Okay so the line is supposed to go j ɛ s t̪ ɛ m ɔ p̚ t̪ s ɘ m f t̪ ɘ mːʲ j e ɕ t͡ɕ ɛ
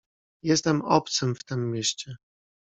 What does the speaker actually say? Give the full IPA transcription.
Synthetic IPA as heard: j ɛ s t̪ ɛ m ɔ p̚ t̪ s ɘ m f t̪ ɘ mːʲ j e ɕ t͡ɕ ɛ